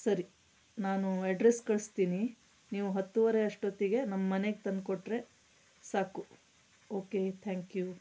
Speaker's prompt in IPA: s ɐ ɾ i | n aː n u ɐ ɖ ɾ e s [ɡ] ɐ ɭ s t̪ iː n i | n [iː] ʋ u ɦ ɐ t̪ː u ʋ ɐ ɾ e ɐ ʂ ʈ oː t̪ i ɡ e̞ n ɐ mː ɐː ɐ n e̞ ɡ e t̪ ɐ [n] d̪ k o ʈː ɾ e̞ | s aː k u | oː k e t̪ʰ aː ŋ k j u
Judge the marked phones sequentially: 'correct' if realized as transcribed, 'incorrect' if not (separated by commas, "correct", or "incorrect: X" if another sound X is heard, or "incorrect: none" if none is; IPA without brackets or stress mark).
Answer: incorrect: k, correct, correct